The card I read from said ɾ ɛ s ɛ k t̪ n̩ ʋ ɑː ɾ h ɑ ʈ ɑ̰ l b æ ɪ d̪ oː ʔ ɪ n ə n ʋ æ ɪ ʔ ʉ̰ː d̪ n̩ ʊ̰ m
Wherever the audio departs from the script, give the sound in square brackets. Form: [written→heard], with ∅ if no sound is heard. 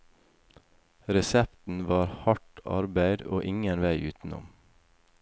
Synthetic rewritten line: ɾ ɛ s ɛ [k→p] t̪ n̩ ʋ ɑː ɾ h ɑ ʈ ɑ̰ [l→ɾ] b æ ɪ d̪ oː ʔ ɪ [n→ŋ] ə n ʋ æ ɪ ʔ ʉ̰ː [d̪→t̪] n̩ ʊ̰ m